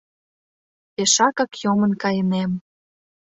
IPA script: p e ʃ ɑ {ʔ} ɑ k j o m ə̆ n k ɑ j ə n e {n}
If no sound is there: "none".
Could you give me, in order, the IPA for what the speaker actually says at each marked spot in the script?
k, m

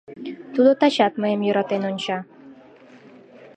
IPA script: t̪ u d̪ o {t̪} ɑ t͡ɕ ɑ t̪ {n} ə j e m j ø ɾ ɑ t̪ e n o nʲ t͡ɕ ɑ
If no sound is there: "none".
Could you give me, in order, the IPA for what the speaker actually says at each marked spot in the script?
t̪, m

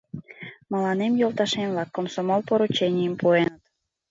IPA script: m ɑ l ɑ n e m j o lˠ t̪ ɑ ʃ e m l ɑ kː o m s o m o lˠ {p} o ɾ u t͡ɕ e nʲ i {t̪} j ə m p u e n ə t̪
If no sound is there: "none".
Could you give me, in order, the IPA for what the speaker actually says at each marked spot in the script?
p, none

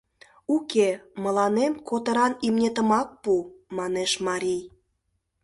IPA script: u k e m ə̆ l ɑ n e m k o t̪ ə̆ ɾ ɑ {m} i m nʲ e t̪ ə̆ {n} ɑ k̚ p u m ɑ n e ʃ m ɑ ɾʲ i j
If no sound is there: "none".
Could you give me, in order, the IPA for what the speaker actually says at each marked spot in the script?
n, m

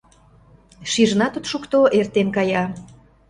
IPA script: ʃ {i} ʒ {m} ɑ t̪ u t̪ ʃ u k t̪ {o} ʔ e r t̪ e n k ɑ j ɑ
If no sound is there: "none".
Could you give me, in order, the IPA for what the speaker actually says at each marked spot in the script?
i, n, o

